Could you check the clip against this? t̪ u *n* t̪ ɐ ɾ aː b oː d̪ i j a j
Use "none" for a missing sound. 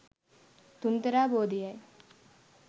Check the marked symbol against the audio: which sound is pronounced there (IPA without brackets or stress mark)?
n